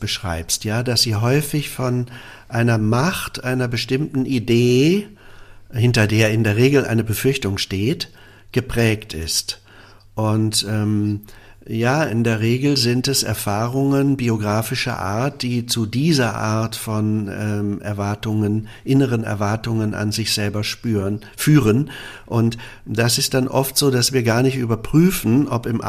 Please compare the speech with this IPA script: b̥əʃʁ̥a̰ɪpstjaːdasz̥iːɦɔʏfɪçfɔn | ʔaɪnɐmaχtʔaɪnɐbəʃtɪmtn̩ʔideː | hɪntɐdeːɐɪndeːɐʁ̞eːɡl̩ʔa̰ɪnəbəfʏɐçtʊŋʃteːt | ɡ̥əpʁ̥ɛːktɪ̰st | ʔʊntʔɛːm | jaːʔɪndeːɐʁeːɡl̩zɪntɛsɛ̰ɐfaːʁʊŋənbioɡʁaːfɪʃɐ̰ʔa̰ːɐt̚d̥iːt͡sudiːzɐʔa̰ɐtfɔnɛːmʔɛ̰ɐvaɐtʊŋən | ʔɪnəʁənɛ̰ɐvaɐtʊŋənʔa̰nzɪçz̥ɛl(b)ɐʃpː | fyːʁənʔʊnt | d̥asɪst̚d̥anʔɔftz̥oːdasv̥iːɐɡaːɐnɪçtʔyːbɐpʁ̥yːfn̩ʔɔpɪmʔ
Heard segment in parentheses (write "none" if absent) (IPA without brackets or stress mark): b